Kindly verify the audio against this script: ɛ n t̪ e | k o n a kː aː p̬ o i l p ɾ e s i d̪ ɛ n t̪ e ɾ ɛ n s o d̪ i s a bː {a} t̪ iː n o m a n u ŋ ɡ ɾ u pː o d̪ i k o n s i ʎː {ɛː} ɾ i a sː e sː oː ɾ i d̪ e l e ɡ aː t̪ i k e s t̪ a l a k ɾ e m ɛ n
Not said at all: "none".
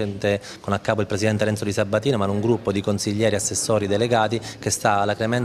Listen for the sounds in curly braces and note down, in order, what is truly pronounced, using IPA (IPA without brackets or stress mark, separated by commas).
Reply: a, ɛː